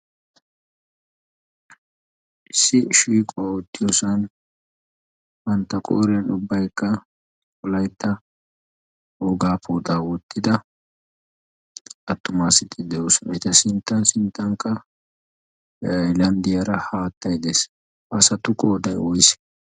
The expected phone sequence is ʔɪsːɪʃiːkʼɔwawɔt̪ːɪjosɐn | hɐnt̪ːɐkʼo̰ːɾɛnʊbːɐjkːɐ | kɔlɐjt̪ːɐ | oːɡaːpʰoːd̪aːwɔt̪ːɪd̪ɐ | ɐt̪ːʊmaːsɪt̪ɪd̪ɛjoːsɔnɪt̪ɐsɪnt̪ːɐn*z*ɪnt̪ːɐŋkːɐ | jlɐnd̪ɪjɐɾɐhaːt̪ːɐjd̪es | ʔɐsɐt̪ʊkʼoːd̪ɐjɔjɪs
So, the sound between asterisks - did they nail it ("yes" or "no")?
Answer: no